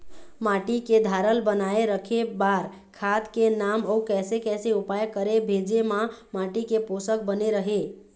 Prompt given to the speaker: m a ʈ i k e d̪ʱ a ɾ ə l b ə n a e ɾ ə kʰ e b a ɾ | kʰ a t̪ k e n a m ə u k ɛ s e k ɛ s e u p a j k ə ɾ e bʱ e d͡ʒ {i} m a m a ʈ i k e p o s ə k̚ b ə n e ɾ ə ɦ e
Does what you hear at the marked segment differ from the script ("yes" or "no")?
yes